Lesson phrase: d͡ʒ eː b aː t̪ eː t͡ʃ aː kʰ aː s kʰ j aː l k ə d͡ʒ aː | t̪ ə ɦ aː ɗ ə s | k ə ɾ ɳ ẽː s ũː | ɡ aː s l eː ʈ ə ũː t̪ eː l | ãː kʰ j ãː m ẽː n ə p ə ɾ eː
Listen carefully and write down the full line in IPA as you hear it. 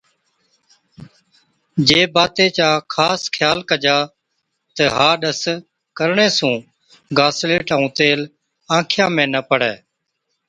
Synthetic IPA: d͡ʒ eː b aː t̪ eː t͡ʃ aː kʰ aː s kʰ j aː l k ə d͡ʒ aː | t̪ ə ɦ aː ɗ ə s | k ə ɾ ɳ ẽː s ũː | ɡ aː s l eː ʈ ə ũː t̪ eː l | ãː kʰ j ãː m ẽː n ə p ə ɽ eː